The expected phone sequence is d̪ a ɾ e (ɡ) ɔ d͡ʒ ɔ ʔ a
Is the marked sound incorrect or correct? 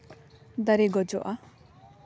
correct